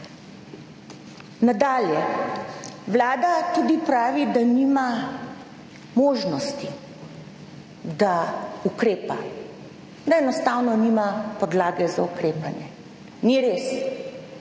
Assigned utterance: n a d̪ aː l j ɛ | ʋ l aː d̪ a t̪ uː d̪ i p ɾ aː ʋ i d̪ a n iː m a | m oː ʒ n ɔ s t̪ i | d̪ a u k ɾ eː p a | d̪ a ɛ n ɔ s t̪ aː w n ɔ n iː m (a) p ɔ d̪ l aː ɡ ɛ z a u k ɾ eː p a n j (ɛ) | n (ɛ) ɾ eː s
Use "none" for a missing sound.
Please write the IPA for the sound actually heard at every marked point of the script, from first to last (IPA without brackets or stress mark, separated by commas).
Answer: a, ɛ, i